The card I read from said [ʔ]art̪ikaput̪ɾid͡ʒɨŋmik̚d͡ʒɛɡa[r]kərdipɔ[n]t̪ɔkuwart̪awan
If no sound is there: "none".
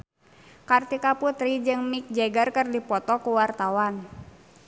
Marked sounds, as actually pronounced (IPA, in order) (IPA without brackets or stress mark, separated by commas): k, r, none